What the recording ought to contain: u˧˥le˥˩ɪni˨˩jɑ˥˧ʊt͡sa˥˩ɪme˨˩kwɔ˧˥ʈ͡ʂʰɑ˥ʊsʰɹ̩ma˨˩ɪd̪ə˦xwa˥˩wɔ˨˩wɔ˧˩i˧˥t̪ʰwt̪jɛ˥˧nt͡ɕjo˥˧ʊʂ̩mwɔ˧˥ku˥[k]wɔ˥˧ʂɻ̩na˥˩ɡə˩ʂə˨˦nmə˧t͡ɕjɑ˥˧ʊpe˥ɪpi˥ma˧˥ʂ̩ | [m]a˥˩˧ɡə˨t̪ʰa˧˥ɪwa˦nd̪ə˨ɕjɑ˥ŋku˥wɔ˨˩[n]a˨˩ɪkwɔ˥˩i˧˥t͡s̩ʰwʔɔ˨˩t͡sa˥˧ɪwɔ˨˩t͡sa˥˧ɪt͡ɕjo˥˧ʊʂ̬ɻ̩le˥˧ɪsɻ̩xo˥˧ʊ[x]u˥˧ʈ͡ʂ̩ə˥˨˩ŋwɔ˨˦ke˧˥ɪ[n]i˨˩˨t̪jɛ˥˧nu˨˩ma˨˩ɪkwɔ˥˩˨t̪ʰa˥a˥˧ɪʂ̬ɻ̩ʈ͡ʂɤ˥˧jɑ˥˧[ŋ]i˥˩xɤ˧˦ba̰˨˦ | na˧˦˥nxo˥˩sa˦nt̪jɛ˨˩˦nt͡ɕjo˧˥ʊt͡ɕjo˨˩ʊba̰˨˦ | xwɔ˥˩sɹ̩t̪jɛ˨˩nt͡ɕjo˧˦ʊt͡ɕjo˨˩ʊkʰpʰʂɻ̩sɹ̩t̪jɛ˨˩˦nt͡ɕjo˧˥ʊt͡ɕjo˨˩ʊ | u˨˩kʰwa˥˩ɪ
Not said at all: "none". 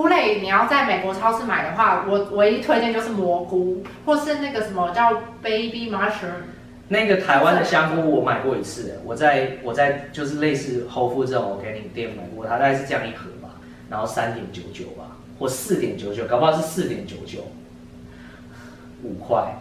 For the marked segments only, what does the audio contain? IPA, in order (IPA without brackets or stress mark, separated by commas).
x, n, m, f, n, ŋ